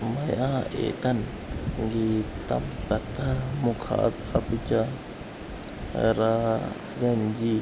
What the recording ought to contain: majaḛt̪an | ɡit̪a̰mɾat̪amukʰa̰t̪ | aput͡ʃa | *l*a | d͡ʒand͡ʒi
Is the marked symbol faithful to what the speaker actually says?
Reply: no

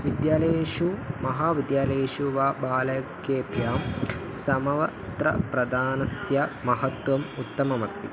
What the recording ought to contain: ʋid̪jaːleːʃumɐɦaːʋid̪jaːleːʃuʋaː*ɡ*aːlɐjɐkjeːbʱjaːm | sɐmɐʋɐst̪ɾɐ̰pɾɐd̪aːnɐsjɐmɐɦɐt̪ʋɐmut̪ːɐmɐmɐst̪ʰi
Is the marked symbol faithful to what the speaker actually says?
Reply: no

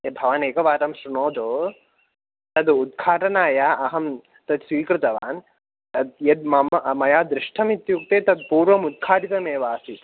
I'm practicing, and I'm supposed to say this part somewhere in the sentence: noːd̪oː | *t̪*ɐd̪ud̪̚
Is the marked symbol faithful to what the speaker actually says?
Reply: yes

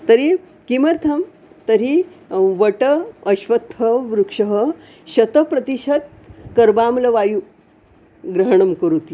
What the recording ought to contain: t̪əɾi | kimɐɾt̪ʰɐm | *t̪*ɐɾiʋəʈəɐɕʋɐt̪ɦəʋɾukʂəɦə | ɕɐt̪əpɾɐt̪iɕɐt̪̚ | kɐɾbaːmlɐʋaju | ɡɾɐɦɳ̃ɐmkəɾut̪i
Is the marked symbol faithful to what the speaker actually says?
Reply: yes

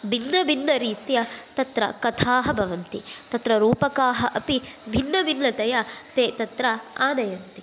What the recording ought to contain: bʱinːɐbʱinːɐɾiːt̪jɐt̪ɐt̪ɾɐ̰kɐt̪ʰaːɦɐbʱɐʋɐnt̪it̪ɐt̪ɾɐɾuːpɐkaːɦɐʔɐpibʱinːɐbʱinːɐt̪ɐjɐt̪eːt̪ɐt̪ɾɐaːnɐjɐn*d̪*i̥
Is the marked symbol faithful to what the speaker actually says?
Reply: no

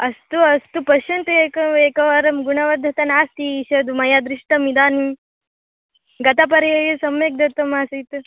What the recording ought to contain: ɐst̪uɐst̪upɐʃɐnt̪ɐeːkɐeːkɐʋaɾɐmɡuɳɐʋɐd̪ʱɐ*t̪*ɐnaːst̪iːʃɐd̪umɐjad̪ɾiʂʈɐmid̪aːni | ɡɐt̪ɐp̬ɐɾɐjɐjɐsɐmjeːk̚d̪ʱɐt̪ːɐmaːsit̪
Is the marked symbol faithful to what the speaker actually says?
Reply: yes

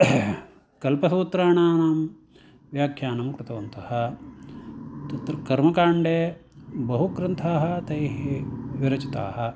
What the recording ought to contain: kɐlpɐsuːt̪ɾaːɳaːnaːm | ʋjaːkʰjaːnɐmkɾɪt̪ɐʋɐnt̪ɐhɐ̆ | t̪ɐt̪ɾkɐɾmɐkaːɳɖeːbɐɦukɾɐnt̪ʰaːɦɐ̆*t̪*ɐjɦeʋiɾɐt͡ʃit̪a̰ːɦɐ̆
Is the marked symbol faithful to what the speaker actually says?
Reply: yes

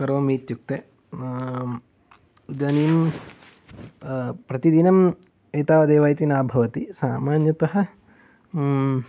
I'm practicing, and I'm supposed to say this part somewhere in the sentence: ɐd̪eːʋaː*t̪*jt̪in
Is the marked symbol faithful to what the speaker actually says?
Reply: no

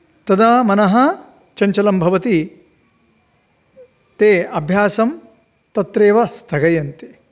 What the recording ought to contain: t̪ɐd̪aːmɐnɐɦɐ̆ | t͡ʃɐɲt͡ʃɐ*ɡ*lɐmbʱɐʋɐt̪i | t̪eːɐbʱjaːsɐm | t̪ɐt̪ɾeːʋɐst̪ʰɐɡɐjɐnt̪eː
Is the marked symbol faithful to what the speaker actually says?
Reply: no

